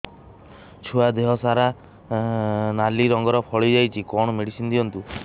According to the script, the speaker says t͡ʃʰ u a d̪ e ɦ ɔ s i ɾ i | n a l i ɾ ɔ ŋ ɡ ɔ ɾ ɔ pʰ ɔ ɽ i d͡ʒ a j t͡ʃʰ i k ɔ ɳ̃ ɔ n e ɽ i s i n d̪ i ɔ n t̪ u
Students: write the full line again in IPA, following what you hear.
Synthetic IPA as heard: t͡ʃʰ u a d̪ e ɦ ɔ s a ɾ a | n a l i ɾ ɔ ŋ ɡ ɔ ɾ ɔ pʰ ɔ ɭ i d͡ʒ a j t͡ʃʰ i k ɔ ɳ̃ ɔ m e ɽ i s i n d̪ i ɔ n t̪ u